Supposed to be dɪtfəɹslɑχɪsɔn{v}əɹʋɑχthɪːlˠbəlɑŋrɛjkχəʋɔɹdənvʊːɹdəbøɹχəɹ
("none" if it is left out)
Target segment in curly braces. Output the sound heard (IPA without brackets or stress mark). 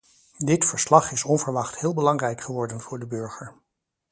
v